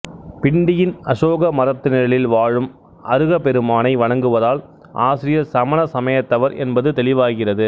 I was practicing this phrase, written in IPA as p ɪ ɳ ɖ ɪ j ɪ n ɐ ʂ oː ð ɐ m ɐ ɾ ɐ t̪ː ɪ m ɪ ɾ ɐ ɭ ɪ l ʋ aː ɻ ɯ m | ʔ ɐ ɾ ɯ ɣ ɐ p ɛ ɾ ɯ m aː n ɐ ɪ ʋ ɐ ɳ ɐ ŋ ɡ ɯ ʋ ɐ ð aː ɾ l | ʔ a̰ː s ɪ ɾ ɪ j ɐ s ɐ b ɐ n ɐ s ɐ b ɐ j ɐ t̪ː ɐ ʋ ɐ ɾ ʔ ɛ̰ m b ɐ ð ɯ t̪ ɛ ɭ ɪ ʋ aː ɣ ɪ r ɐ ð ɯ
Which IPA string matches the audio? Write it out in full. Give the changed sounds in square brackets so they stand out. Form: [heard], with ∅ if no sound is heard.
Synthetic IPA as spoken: p ɪ ɳ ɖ ɪ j ɪ n ɐ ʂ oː [ɣ] ɐ m ɐ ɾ ɐ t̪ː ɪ [n] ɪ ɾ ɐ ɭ ɪ l ʋ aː ɻ ɯ m | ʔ ɐ ɾ ɯ ɣ ɐ p ɛ ɾ ɯ m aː n ɐ ɪ ʋ ɐ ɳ ɐ ŋ ɡ ɯ ʋ ɐ ð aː [∅] l | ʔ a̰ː s ɪ ɾ ɪ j ɐ s ɐ [m] ɐ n ɐ s ɐ [m] ɐ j ɐ t̪ː ɐ ʋ ɐ ɾ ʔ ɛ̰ [n] b ɐ ð ɯ t̪ ɛ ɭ ɪ ʋ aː ɣ ɪ r ɐ ð ɯ

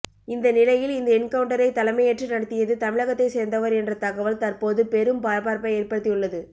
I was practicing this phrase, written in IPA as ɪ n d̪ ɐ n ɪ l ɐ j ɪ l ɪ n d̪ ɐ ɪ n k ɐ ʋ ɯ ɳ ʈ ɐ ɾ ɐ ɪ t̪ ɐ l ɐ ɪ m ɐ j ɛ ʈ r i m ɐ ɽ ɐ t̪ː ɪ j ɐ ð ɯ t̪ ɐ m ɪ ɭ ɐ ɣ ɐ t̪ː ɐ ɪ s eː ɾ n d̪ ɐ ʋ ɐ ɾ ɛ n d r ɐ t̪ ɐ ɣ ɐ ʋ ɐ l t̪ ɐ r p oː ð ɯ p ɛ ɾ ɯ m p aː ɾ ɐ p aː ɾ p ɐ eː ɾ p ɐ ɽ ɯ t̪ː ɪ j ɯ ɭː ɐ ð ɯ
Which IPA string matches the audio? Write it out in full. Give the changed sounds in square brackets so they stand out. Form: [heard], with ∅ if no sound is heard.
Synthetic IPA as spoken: ɪ n d̪ ɐ n ɪ l ɐ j ɪ l ɪ n d̪ ɐ ɪ n k ɐ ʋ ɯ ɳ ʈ ɐ ɾ ɐ ɪ t̪ ɐ l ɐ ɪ m ɐ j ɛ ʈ r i [n] ɐ ɽ ɐ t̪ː ɪ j ɐ ð ɯ t̪ ɐ m ɪ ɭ ɐ ɣ ɐ t̪ː ɐ ɪ s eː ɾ n d̪ ɐ ʋ ɐ ɾ ɛ n d r ɐ t̪ ɐ ɣ ɐ ʋ ɐ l t̪ ɐ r p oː ð ɯ p ɛ ɾ ɯ m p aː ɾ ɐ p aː ɾ p ɐ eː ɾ p ɐ ɽ ɯ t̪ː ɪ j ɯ ɭː ɐ ð ɯ

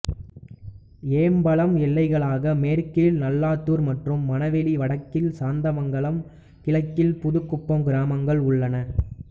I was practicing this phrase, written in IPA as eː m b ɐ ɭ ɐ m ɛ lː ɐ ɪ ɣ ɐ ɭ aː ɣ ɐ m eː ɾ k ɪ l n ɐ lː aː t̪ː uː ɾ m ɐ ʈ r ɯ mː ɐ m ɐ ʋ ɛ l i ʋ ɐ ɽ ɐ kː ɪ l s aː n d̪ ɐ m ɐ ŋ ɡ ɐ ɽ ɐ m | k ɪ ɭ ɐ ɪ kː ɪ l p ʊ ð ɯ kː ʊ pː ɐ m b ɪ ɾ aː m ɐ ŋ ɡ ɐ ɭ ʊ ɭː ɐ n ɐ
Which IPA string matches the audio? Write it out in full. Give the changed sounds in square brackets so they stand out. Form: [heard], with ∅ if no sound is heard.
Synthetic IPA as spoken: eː m b ɐ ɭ ɐ m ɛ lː ɐ ɪ ɣ ɐ ɭ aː ɣ ɐ m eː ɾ k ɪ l n ɐ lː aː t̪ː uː ɾ m ɐ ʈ r ɯ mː ɐ [n] ɐ ʋ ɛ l i ʋ ɐ ɽ ɐ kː ɪ l s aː n d̪ ɐ m ɐ ŋ ɡ ɐ [ɭ] ɐ m | k ɪ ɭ ɐ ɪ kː ɪ l p ʊ ð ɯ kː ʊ pː ɐ m [ɡ] ɪ ɾ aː m ɐ ŋ ɡ ɐ ɭ ʊ ɭː ɐ n ɐ

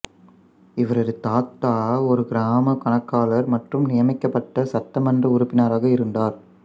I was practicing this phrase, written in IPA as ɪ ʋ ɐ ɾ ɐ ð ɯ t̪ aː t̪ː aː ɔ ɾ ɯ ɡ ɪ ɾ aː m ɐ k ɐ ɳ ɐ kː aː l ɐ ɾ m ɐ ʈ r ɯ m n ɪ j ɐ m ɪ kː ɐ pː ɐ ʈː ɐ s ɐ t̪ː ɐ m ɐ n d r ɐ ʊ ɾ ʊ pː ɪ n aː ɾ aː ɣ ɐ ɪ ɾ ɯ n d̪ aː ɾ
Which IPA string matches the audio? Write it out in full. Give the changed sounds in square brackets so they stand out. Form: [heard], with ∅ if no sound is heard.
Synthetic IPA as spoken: ɪ ʋ ɐ ɾ ɐ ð ɯ t̪ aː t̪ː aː ɔ ɾ ɯ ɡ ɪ ɾ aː m ɐ k ɐ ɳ ɐ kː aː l ɐ ɾ m ɐ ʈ r ɯ m n ɪ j ɐ m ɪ kː ɐ pː ɐ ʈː ɐ s ɐ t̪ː ɐ m ɐ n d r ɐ ʊ ɾ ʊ pː ɪ n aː ɾ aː ɣ ɐ ɪ ɾ ɯ n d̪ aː ɾ

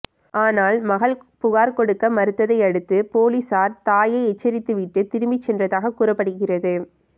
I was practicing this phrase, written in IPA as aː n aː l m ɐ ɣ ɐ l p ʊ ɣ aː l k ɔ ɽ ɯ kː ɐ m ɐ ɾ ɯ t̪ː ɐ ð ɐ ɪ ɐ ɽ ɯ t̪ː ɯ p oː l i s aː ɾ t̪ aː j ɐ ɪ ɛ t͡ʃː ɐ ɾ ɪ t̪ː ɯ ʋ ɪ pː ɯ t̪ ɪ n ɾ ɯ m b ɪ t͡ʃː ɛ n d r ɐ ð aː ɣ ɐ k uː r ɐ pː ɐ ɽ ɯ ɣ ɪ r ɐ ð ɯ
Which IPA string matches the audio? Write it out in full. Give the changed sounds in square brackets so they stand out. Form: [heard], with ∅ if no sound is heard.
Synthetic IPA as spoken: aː n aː l m ɐ ɣ ɐ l p ʊ ɣ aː [ɾ] k ɔ ɽ ɯ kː ɐ m ɐ ɾ ɯ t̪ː ɐ ð ɐ ɪ ɐ ɽ ɯ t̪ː ɯ p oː l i s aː ɾ t̪ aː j ɐ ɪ ɛ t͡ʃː ɐ ɾ ɪ t̪ː ɯ ʋ ɪ [ʈː] ɯ t̪ ɪ [∅] ɾ ɯ m b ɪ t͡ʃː ɛ n d r ɐ ð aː ɣ ɐ k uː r ɐ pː ɐ ɽ ɯ ɣ ɪ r ɐ ð ɯ

